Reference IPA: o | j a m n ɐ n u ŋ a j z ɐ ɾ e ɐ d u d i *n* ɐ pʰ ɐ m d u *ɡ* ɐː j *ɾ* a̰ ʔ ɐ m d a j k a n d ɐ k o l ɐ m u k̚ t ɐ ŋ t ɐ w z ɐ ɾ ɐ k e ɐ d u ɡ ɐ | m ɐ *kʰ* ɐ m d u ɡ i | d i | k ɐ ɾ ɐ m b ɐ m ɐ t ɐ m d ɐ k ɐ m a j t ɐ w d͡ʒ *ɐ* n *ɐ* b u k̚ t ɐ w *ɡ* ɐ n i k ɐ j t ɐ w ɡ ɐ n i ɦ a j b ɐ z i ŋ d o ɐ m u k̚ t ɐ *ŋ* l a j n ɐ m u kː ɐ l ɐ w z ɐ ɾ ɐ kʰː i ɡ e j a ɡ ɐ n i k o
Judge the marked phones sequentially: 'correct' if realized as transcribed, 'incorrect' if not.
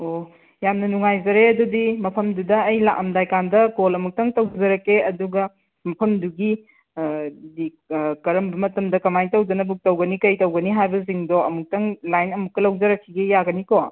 incorrect: m, incorrect: d, incorrect: l, incorrect: pʰ, correct, correct, correct, correct

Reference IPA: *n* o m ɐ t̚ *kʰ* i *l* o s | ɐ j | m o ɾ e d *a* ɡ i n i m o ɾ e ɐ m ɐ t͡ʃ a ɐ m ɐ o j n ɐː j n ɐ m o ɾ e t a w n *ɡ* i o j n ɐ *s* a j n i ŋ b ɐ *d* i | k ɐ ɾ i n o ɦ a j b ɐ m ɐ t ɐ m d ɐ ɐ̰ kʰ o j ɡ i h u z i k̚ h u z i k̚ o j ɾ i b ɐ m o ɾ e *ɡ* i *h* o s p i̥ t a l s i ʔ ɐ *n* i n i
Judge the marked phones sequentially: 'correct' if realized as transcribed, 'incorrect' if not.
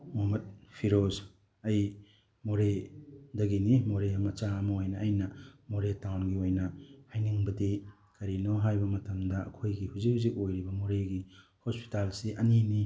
incorrect: m, incorrect: pʰ, incorrect: ɾ, incorrect: ɐ, correct, incorrect: h, correct, correct, correct, correct

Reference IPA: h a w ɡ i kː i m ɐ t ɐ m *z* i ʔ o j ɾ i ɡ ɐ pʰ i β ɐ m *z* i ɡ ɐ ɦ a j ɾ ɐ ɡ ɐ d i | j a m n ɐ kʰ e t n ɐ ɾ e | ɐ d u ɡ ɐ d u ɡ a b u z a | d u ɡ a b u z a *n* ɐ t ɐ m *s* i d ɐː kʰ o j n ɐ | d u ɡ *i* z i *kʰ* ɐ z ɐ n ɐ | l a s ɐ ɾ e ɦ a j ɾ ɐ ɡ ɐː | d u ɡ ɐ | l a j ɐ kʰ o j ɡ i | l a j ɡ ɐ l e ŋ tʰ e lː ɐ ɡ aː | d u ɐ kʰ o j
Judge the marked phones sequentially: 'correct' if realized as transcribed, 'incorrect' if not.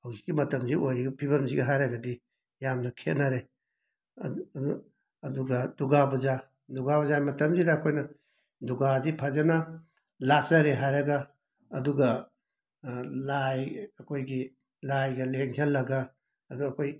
correct, correct, incorrect: m, incorrect: z, incorrect: a, incorrect: pʰ

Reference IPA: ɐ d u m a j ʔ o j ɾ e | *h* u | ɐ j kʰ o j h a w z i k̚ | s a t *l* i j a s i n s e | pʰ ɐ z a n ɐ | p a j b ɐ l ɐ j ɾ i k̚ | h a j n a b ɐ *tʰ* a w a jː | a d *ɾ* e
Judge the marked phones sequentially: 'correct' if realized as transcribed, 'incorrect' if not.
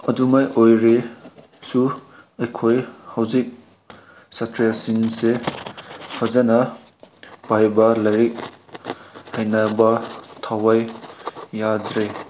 incorrect: s, incorrect: ɾ, correct, correct

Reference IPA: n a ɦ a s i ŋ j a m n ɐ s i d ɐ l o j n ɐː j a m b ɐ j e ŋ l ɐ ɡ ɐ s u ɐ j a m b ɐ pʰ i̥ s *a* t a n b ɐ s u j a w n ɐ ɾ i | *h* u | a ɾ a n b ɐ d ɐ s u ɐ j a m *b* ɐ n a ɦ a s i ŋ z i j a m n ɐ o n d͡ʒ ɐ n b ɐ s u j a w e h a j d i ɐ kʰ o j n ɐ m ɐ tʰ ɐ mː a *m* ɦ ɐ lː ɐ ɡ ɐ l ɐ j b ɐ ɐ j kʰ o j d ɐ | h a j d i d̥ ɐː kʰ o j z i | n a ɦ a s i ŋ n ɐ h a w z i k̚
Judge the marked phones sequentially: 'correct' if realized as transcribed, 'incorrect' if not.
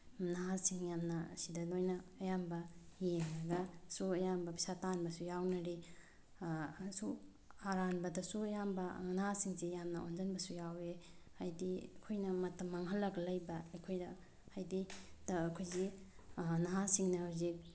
correct, incorrect: s, correct, incorrect: ŋ

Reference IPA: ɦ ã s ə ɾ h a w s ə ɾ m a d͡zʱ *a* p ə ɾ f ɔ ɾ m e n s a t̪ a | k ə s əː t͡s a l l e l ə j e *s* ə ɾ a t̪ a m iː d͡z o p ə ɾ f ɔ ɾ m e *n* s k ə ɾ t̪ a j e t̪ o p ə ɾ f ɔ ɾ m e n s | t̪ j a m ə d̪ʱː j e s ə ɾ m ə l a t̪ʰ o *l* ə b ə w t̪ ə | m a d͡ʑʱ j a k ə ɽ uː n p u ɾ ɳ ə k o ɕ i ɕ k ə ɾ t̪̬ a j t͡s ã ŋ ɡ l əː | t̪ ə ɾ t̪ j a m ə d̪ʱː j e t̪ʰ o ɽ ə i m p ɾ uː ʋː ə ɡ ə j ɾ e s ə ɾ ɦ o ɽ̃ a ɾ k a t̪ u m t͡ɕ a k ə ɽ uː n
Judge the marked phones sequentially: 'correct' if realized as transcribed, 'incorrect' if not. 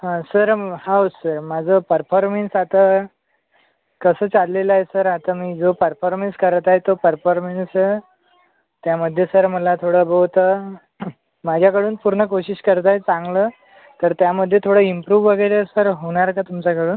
incorrect: ə, correct, correct, incorrect: ɽ

